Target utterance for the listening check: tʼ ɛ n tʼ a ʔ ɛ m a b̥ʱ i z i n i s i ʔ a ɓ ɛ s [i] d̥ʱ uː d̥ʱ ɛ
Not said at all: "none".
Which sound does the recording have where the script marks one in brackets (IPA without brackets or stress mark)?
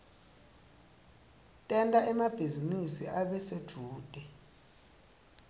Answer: e